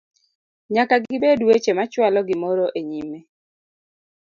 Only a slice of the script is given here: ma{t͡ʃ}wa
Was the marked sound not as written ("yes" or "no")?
no